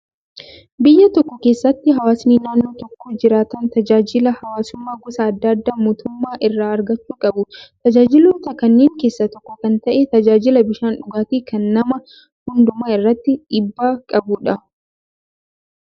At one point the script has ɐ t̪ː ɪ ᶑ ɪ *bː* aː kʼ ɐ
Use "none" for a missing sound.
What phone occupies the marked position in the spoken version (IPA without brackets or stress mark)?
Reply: bː